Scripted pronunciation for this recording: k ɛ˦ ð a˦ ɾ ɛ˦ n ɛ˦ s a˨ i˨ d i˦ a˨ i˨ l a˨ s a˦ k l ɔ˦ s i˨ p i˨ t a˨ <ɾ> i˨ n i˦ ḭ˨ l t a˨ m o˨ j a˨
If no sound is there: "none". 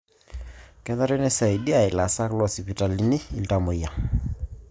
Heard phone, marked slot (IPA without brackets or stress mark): l